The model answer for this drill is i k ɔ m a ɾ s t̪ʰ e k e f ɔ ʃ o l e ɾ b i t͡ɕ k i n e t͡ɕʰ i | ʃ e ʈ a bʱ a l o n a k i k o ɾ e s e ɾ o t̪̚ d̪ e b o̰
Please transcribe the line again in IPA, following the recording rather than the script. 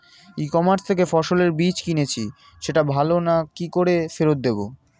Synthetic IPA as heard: i k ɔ m a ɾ s t̪ʰ e k e f ɔ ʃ o l e ɾ b i t͡ɕ k i n e t͡ɕʰ i | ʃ e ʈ a bʱ a l o n a k i k o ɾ e f e ɾ o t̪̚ d̪ e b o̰